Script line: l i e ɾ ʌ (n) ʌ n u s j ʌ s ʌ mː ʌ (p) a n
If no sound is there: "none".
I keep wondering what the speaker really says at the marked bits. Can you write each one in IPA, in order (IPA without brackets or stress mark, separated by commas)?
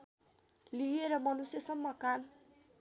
m, k